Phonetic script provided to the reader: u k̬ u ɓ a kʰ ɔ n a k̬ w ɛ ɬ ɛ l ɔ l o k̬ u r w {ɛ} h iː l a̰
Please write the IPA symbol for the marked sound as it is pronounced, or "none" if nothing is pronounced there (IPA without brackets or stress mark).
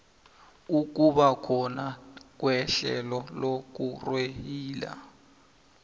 e